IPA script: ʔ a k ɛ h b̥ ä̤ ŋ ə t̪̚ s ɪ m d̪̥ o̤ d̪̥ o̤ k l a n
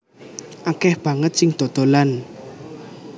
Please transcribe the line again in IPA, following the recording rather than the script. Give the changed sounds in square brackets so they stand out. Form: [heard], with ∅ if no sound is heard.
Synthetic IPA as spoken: ʔ a k ɛ h b̥ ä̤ ŋ ə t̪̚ s ɪ [ŋ] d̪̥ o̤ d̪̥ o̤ [∅] l a n